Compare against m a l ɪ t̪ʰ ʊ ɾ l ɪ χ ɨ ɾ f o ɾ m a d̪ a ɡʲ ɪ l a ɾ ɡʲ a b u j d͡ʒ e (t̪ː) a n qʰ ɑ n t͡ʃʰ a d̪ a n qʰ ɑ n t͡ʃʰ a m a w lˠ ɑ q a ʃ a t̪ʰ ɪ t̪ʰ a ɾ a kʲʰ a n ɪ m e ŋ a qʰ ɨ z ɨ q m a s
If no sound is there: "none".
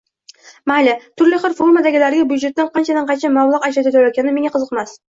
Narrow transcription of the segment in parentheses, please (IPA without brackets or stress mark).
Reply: t̪ː